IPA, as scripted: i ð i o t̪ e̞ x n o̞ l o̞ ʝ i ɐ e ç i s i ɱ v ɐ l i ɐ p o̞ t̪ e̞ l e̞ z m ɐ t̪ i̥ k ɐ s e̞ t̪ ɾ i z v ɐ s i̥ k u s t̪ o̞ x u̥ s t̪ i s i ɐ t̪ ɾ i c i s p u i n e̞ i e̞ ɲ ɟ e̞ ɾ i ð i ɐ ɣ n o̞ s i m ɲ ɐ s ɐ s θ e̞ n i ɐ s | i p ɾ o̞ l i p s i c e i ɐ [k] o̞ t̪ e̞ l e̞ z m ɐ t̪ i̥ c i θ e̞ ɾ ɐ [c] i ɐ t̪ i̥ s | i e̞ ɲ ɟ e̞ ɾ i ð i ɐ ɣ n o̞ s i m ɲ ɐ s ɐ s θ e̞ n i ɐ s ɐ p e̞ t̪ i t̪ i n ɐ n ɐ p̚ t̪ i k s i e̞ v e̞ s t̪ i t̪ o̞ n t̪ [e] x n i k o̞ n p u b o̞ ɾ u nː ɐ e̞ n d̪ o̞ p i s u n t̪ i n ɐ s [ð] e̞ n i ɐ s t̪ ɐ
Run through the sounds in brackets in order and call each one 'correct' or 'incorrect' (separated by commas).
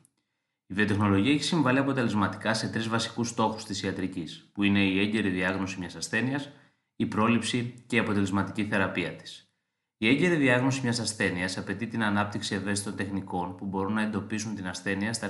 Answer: incorrect, incorrect, correct, incorrect